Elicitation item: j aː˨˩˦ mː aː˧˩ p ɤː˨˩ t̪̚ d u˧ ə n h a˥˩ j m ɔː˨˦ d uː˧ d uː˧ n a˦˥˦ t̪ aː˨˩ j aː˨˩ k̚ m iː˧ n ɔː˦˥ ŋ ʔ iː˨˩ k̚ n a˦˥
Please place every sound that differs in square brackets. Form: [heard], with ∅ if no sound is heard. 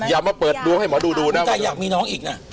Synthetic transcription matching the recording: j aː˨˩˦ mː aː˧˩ p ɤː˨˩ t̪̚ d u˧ ə [ŋ] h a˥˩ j m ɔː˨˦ d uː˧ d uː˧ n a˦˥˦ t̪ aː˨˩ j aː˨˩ k̚ m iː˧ n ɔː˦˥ ŋ ʔ iː˨˩ k̚ n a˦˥